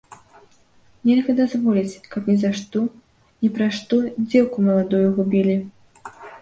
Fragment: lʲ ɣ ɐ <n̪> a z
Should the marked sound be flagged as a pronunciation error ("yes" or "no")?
yes